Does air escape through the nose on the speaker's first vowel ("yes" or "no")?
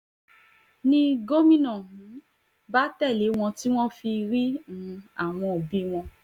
yes